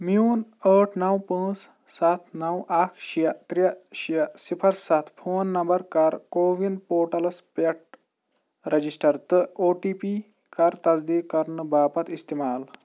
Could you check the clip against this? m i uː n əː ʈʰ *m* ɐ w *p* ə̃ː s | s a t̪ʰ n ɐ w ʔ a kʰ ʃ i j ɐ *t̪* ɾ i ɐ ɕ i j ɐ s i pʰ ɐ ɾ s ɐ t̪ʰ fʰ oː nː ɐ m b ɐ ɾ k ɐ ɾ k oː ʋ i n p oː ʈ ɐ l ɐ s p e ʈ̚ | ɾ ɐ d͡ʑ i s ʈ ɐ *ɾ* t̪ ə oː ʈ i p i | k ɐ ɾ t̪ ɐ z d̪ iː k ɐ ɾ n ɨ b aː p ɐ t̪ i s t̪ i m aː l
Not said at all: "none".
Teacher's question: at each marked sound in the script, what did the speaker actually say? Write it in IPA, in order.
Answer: n, p, t̪, ɾ

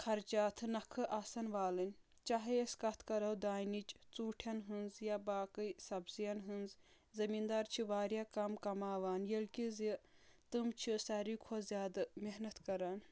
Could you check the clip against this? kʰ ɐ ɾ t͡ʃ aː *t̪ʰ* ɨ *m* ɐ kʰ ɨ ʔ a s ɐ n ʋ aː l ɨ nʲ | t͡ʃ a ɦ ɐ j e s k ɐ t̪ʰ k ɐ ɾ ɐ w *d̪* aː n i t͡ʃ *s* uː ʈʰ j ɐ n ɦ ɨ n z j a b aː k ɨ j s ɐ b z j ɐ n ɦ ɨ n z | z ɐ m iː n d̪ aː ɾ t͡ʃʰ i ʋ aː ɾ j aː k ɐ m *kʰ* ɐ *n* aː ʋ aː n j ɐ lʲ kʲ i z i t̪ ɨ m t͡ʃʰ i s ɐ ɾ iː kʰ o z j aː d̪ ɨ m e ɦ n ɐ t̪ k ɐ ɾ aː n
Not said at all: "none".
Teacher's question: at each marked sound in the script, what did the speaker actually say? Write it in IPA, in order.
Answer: t̪ʰ, n, d̪, t͡s, k, m

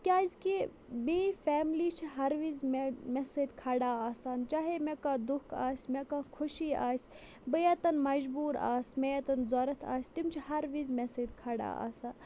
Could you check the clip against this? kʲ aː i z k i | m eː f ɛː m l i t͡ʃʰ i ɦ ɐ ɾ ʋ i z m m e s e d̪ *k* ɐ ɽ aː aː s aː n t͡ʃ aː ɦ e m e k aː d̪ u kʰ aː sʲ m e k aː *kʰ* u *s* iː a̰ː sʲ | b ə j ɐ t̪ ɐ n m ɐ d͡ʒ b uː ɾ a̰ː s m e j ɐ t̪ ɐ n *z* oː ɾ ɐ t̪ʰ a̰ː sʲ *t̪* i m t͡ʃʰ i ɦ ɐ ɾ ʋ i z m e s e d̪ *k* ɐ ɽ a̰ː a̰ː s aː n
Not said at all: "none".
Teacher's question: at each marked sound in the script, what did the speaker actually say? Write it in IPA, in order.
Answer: kʰ, kʰ, ʃ, z, t̪, kʰ

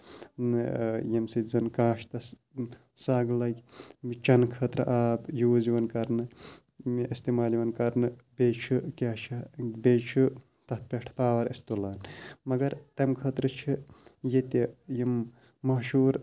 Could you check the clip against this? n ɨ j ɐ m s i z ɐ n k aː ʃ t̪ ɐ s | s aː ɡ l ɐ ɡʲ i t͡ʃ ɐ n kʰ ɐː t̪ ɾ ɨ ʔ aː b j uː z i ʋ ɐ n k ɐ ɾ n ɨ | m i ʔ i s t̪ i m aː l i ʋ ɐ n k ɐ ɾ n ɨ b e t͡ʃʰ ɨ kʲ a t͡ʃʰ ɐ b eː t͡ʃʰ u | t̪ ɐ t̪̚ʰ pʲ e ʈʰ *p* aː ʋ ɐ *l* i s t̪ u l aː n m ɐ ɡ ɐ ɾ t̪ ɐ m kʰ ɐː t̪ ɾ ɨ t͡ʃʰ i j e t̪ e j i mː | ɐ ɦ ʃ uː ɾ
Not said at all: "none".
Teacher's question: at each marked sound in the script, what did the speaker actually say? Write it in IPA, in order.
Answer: p, ɾ

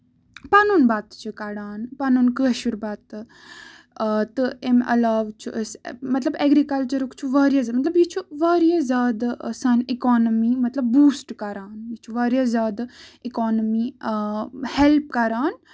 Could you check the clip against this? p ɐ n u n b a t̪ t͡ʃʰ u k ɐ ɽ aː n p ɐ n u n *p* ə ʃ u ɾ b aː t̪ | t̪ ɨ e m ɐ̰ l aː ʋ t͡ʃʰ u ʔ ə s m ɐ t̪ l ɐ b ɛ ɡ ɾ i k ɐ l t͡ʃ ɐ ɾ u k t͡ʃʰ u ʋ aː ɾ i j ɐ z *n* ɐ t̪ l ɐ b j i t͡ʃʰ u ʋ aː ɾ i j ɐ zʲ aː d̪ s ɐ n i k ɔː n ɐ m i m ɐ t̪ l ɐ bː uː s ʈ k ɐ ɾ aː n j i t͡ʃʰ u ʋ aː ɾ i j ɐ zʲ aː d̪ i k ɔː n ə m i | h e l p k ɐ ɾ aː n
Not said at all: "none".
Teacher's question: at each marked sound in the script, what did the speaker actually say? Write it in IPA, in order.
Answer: k, m

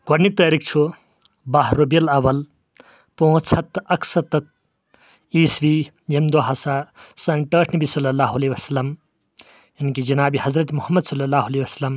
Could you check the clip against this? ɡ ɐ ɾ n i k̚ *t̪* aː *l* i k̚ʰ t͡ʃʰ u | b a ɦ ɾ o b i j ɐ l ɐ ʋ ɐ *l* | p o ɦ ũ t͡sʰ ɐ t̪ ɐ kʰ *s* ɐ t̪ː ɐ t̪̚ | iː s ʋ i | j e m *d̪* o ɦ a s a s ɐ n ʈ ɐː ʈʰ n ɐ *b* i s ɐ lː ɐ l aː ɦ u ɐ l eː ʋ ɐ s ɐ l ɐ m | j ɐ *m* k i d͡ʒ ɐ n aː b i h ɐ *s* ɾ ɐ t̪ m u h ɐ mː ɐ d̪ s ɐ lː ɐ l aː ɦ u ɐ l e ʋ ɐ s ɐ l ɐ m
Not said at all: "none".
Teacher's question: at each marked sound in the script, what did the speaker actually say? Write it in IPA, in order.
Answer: t̪, ɾ, l, s, d̪, b, n, z

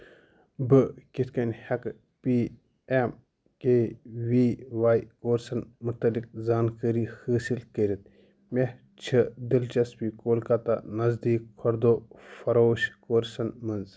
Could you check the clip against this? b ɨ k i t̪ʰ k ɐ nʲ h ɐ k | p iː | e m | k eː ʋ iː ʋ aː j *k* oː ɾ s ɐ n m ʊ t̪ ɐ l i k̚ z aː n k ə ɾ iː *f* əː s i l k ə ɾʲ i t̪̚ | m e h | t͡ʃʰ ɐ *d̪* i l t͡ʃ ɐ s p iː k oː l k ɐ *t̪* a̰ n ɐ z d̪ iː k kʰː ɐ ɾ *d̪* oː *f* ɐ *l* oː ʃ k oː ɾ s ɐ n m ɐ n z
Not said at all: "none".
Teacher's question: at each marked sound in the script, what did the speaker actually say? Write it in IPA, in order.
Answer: k, h, d̪, t̪, d̪, f, ɾ

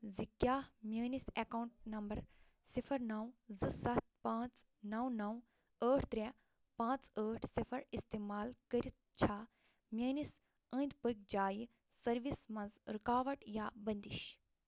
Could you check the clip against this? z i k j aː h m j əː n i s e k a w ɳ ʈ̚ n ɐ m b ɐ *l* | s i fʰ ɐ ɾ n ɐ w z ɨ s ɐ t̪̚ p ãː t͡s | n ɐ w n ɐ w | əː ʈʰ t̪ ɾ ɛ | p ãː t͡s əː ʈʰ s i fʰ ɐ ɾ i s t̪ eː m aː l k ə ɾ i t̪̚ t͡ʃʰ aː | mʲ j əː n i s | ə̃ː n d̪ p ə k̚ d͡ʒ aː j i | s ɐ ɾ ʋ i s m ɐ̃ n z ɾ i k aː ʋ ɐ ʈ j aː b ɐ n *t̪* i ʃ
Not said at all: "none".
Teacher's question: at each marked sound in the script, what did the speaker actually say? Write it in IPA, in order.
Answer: ɾ, d̪

